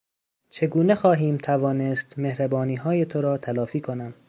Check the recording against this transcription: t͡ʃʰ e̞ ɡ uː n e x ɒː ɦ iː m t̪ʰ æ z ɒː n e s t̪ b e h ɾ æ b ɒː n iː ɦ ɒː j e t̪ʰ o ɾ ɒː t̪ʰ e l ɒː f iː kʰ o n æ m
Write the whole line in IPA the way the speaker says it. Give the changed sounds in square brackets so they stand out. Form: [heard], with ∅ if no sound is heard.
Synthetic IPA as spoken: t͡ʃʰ e̞ ɡ uː n e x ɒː ɦ iː m t̪ʰ æ [v] ɒː n e s t̪ [m] e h ɾ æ b ɒː n iː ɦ ɒː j e t̪ʰ o ɾ ɒː t̪ʰ [æ] l ɒː f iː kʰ o n æ m